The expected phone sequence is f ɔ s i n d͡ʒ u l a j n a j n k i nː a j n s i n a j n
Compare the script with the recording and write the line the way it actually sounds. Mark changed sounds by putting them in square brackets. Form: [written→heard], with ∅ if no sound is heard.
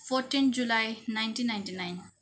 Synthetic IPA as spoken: f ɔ [s→t] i n d͡ʒ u l a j n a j n [k→t] i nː a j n [s→t] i n a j n